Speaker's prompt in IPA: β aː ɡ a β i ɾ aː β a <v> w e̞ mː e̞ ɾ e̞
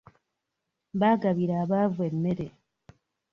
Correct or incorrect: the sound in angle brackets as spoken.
correct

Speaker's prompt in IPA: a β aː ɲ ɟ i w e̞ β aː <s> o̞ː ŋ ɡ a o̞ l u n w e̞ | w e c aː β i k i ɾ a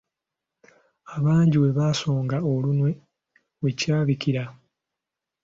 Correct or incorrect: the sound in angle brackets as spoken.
correct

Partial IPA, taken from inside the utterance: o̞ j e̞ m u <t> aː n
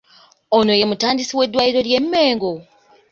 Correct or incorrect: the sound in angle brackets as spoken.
correct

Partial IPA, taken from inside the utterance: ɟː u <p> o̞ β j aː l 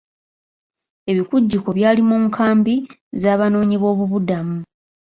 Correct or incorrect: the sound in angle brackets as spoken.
incorrect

